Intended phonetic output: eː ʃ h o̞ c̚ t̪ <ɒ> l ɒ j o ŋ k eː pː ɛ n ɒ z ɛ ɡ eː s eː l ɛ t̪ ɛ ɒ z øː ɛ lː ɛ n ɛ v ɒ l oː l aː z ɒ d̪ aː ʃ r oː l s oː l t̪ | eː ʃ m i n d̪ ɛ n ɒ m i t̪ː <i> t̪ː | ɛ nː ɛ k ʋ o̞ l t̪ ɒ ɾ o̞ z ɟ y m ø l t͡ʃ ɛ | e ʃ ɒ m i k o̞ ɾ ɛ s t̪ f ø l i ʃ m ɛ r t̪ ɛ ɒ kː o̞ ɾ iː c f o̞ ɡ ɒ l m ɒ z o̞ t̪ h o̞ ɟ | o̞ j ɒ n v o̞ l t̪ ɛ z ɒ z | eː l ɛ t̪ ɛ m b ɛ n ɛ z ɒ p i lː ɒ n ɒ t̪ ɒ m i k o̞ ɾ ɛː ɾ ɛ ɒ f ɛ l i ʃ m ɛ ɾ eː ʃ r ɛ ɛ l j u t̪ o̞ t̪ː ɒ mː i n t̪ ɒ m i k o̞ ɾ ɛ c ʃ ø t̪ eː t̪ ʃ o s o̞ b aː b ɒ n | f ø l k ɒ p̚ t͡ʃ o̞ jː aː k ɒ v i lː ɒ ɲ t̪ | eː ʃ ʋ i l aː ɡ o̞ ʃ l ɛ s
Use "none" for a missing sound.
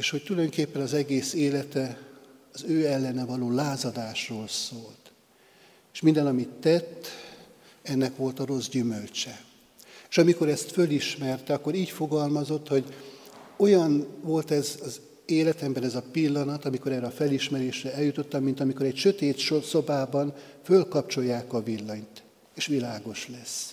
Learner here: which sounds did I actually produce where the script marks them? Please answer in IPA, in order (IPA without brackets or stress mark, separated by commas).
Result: u, ɛ